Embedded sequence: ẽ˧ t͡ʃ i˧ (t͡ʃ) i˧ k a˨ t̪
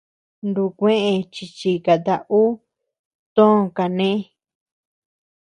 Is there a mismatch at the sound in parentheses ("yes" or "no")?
no